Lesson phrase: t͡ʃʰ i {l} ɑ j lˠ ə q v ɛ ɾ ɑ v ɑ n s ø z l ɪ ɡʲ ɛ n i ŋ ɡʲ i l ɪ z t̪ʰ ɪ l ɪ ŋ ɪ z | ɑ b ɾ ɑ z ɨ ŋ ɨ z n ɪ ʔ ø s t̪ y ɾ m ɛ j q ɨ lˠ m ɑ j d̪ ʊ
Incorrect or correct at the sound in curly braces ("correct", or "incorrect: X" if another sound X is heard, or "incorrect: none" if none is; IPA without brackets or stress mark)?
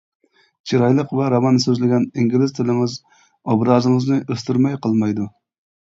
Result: incorrect: ɾ